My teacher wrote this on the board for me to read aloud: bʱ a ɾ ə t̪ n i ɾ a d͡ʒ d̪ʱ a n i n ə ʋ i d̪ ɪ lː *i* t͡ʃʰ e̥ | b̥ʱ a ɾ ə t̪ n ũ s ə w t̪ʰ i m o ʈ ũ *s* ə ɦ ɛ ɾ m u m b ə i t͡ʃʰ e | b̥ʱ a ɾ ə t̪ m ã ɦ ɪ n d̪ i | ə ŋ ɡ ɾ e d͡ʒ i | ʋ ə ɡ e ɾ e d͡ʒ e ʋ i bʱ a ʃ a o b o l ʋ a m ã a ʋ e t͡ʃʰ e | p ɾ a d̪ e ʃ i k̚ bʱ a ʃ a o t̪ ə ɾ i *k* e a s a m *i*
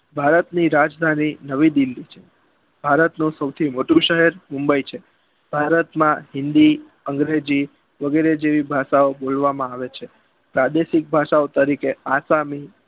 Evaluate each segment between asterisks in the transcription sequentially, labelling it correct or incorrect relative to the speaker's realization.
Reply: correct, incorrect, correct, correct

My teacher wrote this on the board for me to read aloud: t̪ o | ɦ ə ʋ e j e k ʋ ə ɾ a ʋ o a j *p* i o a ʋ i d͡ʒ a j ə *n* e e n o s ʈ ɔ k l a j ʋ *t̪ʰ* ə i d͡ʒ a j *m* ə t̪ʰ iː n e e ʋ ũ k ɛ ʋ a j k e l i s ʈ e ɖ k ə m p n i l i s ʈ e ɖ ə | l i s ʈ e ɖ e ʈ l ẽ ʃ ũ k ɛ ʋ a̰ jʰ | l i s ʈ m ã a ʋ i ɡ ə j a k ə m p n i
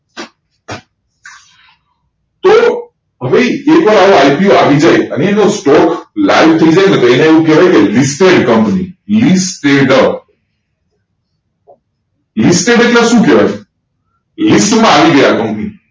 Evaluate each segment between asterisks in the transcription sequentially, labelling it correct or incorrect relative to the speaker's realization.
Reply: correct, correct, correct, incorrect

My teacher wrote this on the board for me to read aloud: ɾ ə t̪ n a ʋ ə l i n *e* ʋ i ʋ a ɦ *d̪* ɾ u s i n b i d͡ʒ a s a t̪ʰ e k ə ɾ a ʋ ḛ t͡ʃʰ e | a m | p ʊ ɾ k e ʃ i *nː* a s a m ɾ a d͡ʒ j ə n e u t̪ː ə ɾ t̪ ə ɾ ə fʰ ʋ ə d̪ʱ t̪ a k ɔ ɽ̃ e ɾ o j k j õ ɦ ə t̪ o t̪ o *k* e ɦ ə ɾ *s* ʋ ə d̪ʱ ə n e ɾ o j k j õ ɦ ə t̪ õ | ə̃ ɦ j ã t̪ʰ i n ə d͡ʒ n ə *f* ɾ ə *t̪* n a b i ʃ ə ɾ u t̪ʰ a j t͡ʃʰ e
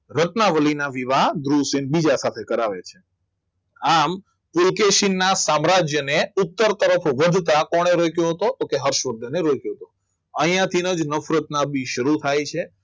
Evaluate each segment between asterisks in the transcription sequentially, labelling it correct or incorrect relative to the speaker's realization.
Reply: incorrect, correct, correct, correct, incorrect, correct, correct

